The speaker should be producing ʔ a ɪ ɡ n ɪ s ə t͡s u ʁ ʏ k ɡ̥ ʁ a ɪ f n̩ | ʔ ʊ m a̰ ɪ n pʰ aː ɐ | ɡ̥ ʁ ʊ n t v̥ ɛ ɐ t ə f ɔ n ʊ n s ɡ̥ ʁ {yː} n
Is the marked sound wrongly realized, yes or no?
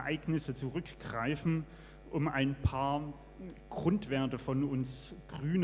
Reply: no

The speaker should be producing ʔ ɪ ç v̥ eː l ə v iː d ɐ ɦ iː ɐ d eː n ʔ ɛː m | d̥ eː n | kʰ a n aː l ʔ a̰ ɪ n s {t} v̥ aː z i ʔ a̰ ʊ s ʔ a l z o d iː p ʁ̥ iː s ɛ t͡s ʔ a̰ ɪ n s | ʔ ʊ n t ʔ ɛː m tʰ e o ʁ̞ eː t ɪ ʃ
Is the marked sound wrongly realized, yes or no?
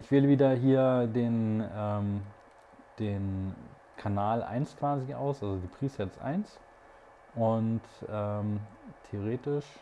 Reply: yes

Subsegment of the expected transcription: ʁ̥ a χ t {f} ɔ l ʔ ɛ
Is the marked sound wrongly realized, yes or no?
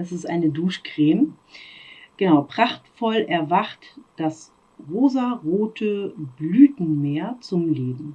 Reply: no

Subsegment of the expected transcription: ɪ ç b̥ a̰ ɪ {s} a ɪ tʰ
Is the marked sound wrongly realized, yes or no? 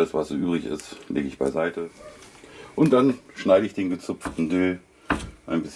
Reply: yes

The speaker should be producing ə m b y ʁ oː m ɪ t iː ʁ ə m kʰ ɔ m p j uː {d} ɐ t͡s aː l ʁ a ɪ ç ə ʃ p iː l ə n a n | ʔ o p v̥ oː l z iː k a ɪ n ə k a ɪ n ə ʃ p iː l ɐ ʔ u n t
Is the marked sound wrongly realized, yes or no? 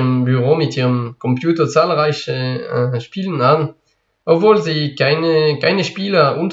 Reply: yes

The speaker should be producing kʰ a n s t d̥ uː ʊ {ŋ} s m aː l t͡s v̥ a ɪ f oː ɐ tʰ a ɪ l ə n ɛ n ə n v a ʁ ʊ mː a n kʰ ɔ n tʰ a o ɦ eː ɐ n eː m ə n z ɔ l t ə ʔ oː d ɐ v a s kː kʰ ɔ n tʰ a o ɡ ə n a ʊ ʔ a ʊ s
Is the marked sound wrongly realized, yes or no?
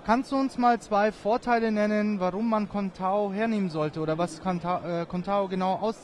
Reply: yes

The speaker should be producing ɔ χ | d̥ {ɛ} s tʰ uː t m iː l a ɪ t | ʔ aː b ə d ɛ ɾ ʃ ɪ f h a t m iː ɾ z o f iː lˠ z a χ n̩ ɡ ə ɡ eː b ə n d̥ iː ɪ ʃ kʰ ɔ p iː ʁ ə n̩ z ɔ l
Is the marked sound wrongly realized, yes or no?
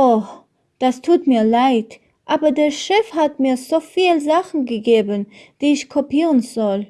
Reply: yes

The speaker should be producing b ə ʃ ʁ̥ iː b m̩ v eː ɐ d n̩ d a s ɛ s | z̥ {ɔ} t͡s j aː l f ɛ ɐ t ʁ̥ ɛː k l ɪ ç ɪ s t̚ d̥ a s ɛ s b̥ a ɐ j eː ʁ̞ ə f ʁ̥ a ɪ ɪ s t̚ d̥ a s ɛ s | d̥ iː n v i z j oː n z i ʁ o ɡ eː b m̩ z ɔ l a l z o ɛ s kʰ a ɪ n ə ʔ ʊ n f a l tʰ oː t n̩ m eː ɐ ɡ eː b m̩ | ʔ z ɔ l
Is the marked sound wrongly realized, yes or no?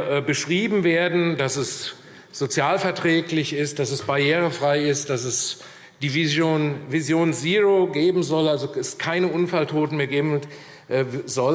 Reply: yes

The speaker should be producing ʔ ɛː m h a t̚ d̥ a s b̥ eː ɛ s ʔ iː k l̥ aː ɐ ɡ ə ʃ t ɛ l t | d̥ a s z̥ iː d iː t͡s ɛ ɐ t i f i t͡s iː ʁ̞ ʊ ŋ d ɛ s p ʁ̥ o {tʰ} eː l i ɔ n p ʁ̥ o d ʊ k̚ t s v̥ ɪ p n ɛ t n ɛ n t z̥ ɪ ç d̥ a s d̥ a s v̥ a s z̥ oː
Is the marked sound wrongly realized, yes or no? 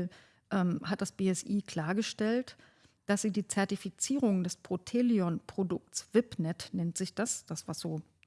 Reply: no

